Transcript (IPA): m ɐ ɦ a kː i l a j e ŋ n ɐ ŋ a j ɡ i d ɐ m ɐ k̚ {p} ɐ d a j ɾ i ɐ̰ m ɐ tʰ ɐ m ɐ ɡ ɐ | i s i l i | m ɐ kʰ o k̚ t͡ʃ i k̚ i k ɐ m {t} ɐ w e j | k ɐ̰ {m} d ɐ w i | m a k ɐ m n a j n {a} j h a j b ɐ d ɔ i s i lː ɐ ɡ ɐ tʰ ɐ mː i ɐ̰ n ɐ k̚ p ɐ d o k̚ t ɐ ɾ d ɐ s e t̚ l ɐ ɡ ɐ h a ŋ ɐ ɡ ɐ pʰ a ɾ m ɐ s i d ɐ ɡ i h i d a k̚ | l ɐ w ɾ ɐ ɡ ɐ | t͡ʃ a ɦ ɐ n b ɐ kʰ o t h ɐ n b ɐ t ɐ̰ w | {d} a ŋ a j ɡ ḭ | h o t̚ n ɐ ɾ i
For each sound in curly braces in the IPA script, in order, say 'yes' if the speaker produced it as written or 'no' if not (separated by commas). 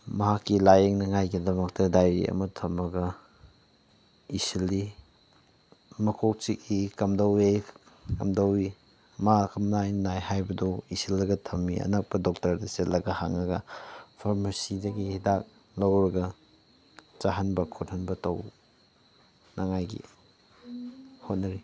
no, no, yes, yes, no